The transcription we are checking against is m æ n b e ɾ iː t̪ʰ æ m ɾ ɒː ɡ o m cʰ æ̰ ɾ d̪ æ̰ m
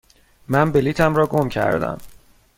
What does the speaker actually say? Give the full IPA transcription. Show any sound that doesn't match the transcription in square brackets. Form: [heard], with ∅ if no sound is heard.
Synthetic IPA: m æ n b e [l] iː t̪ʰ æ m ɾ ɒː ɡ o m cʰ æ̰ ɾ d̪ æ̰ m